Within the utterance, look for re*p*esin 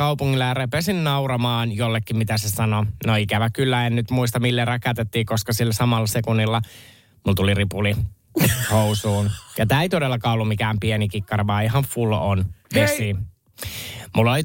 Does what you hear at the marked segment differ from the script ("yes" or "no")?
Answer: no